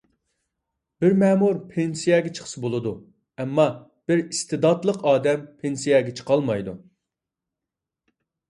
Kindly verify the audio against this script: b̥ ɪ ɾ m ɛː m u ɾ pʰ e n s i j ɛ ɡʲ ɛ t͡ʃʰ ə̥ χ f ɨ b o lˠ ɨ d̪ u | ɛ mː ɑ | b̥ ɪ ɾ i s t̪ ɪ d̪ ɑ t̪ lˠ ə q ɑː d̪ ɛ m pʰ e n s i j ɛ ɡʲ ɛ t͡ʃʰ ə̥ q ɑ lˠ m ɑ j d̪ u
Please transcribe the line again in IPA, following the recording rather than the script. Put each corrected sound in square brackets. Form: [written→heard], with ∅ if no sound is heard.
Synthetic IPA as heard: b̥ ɪ ɾ m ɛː m u ɾ pʰ e n s i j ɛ ɡʲ ɛ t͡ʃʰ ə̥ χ [f→s] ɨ b o lˠ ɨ d̪ u | ɛ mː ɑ | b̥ ɪ ɾ i s t̪ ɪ d̪ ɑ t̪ lˠ ə q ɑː d̪ ɛ m pʰ e n s i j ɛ ɡʲ ɛ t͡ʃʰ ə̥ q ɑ lˠ m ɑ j d̪ u

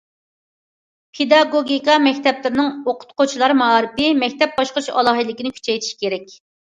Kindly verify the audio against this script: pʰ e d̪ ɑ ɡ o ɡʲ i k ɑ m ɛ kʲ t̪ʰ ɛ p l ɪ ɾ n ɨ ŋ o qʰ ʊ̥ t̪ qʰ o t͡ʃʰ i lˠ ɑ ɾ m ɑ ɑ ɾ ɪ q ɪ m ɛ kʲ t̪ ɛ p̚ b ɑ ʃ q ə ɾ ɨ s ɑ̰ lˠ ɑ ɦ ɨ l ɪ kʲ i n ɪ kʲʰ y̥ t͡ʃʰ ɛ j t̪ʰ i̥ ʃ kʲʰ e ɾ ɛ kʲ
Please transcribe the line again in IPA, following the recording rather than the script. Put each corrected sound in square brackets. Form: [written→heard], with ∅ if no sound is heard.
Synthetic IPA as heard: pʰ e d̪ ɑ ɡ o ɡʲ i k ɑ m ɛ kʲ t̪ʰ ɛ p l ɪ ɾ n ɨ ŋ o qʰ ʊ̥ t̪ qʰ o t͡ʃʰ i lˠ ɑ ɾ m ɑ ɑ ɾ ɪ [q→p] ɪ m ɛ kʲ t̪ ɛ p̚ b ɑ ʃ q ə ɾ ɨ [s→ʃ] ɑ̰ lˠ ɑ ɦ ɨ l ɪ kʲ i n ɪ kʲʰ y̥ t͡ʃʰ ɛ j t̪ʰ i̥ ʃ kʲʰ e ɾ ɛ kʲ

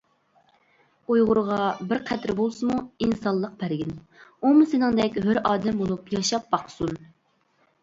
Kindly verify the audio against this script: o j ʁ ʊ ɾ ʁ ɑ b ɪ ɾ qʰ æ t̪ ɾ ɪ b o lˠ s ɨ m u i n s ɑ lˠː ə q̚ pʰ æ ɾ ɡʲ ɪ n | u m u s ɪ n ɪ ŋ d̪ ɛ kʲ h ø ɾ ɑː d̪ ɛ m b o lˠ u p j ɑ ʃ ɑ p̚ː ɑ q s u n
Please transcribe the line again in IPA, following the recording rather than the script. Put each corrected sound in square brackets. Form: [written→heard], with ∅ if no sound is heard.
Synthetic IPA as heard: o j ʁ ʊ ɾ ʁ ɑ b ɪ ɾ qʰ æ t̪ ɾ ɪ b o lˠ s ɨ m u i n s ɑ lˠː ə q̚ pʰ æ ɾ ɡʲ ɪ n | u m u s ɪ n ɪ ŋ d̪ ɛ kʲ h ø ɾ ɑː d̪ ɛ m b o lˠ u p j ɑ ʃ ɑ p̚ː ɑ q s u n

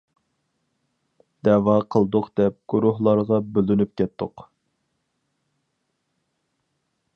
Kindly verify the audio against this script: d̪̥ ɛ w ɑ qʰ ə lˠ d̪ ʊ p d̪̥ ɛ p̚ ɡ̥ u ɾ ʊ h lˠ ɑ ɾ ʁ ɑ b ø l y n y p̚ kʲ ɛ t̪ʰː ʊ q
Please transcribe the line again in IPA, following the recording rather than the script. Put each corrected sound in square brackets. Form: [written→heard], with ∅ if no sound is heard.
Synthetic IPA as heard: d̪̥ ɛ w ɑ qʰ ə lˠ d̪ ʊ [p→q] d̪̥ ɛ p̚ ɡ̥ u ɾ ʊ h lˠ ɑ ɾ ʁ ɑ b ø l y n y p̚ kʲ ɛ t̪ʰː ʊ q

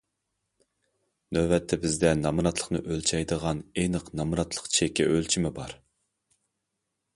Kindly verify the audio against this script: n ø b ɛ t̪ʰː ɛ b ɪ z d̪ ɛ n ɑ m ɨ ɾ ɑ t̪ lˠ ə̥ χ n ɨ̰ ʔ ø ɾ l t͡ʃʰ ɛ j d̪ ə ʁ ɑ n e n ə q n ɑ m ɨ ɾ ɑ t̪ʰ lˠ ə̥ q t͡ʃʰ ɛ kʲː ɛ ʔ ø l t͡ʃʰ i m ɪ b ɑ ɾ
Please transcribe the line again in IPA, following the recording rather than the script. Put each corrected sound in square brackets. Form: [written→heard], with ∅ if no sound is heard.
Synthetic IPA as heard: n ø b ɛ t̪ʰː ɛ b ɪ z d̪ ɛ n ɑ m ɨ ɾ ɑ t̪ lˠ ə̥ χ n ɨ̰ ʔ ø [ɾ→∅] l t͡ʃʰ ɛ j d̪ ə ʁ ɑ n e n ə q n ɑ m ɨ ɾ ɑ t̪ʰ lˠ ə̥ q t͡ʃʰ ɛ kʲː ɛ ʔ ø l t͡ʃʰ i m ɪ b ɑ ɾ

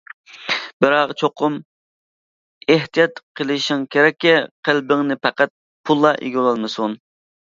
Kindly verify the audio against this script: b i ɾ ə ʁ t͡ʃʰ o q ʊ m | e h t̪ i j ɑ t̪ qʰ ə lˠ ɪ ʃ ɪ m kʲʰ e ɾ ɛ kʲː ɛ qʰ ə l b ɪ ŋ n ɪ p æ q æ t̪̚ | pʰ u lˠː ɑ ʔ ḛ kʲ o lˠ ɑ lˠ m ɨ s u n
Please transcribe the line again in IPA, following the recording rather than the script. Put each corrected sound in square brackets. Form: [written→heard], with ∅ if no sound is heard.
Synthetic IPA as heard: b [i→ɪ] ɾ [ə→ɑ] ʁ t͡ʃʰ o q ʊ m | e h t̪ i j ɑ t̪ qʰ ə lˠ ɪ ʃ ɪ [m→ŋ] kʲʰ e ɾ ɛ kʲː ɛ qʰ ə l b ɪ ŋ n ɪ p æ q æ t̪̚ | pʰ u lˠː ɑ ʔ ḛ [kʲ→ɡʲ] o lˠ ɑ lˠ m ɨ s u n

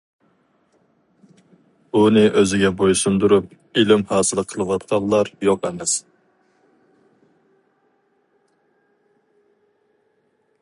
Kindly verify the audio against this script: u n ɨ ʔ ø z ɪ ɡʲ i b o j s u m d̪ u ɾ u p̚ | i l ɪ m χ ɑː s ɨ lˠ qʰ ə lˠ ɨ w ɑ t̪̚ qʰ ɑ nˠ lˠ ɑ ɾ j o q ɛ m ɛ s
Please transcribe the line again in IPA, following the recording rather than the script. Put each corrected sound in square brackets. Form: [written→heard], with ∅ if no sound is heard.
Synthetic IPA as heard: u n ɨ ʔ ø z ɪ ɡʲ [i→ɛ] b o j s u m d̪ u ɾ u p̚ | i l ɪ m [χ→h] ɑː s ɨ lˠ qʰ ə lˠ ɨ w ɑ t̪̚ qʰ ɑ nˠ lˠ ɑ ɾ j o q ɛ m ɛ s

